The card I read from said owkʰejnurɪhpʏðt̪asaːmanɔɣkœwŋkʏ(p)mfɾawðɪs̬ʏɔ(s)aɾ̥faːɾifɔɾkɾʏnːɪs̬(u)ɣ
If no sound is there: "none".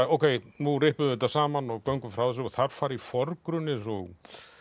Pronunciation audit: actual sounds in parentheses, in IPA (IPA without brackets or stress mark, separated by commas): none, θ, ɔ